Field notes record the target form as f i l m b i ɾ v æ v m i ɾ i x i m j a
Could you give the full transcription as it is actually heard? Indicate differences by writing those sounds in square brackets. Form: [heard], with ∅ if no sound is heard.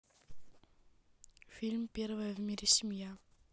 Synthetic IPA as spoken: f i l m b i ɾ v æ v m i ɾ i [s] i m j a